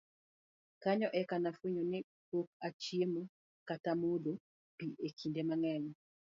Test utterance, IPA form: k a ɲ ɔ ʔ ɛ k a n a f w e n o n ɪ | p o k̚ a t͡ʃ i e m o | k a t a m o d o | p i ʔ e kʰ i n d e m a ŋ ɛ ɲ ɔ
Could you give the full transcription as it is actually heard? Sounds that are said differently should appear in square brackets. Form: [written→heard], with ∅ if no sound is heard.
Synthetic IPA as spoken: k a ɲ ɔ ʔ ɛ k a n a f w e [n→ɲ] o n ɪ | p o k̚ a t͡ʃ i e m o | k a t a m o d o | p i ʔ e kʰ i n d e m a ŋ ɛ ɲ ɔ